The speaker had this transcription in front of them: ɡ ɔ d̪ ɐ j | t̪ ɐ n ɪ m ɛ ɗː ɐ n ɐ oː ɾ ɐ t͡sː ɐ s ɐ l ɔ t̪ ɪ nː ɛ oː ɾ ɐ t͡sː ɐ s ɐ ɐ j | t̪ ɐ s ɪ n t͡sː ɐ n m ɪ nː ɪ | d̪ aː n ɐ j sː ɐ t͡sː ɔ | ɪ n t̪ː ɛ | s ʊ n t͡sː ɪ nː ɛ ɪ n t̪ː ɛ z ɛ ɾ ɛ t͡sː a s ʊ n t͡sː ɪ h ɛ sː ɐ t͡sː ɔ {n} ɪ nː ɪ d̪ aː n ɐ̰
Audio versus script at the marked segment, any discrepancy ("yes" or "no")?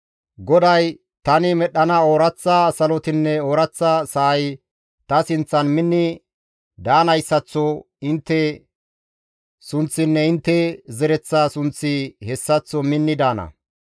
yes